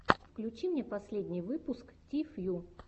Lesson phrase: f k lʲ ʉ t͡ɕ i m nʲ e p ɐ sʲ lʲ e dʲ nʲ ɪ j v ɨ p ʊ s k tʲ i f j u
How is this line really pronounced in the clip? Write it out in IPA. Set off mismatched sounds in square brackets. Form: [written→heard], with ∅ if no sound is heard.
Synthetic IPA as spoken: f k lʲ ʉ t͡ɕ i m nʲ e p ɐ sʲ lʲ e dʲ nʲ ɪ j v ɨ p ʊ s k tʲ i f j u